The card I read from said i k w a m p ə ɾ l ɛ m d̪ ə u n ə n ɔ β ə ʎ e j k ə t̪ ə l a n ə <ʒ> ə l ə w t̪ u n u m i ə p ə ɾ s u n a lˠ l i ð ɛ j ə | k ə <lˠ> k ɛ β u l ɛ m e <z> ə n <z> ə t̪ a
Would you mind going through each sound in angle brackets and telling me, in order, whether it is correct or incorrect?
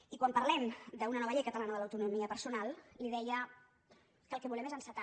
incorrect: ð, correct, correct, incorrect: s

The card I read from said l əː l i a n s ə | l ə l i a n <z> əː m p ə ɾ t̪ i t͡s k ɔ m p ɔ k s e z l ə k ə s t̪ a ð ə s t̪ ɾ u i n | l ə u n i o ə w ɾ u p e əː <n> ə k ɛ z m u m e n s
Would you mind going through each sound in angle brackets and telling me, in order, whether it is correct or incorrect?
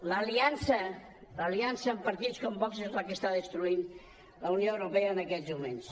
incorrect: s, correct

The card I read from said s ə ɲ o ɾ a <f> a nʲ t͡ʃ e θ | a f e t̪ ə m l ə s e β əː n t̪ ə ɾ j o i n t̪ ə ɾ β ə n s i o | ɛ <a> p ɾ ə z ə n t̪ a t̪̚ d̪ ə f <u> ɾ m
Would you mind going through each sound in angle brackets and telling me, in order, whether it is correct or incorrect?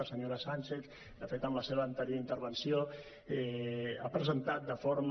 incorrect: s, correct, incorrect: o

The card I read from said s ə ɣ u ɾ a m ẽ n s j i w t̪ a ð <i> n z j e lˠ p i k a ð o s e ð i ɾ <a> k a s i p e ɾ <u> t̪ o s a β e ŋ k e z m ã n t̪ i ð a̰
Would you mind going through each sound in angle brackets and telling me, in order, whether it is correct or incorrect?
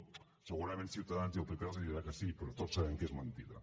incorrect: a, correct, incorrect: o

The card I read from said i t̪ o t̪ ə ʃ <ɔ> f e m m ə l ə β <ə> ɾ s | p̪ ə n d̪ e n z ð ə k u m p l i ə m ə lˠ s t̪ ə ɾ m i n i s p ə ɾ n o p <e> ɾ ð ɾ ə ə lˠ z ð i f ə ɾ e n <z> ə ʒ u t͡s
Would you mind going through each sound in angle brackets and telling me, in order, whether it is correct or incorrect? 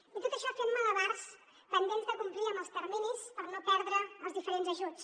correct, incorrect: a, incorrect: ɛ, correct

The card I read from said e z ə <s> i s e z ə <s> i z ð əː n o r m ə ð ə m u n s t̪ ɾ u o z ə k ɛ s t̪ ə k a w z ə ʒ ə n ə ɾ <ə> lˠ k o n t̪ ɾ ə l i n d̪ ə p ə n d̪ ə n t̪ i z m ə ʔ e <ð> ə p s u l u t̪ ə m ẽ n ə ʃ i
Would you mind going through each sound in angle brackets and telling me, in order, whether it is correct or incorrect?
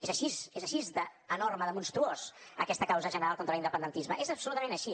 incorrect: ʃ, incorrect: ʃ, incorrect: a, incorrect: z

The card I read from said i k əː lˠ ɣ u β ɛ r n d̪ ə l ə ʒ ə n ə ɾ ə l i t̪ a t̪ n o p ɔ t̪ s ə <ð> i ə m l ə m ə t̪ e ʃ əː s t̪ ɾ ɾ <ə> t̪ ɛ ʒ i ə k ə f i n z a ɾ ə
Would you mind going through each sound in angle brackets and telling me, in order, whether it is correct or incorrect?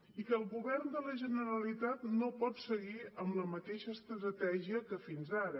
incorrect: ɣ, correct

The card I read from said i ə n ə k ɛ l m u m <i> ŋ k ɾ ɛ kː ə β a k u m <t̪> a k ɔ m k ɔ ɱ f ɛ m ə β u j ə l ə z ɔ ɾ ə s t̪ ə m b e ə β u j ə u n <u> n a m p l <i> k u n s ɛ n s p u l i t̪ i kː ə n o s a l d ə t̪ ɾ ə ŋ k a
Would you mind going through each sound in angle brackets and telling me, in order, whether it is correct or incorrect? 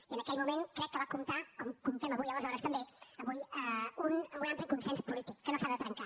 incorrect: e, correct, correct, correct

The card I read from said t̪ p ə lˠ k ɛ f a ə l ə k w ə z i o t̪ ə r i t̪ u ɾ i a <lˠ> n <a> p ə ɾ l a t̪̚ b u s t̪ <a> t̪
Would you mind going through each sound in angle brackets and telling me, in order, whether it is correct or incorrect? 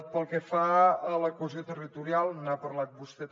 correct, correct, incorrect: ɛ

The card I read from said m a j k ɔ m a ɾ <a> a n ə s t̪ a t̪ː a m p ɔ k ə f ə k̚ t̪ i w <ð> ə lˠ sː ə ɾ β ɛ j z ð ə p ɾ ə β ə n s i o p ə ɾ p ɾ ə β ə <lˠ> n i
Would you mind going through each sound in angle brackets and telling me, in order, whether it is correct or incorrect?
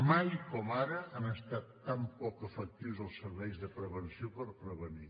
incorrect: ə, incorrect: z, incorrect: none

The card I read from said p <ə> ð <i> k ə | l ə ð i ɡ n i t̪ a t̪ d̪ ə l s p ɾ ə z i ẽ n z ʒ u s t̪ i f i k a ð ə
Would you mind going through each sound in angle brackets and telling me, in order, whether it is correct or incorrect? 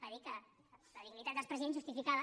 correct, correct

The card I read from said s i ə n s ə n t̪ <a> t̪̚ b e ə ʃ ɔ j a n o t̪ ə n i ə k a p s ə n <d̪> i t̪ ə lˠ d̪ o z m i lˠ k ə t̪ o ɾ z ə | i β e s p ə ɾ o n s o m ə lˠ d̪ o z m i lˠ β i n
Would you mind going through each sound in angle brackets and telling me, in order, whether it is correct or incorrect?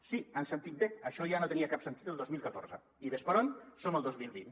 incorrect: i, incorrect: t̪

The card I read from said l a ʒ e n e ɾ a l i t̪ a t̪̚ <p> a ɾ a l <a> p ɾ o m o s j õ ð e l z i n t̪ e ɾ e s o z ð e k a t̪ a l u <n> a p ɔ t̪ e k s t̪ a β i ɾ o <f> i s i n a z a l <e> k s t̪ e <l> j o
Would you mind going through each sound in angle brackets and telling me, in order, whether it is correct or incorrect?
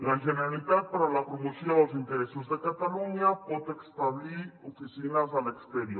correct, correct, incorrect: ɲ, correct, correct, incorrect: ɾ

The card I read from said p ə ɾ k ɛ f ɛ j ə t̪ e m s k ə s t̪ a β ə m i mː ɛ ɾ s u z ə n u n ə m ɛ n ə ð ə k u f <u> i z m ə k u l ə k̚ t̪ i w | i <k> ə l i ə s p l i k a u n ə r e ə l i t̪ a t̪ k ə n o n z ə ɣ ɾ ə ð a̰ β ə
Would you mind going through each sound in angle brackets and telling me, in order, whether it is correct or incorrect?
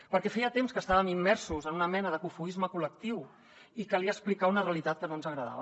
correct, correct

